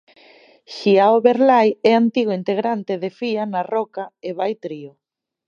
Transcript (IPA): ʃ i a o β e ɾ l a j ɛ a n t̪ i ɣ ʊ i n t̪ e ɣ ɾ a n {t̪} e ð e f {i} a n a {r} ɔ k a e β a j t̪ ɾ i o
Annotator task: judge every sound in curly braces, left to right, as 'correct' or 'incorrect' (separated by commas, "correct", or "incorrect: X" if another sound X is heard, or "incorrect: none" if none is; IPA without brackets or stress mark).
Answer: correct, correct, correct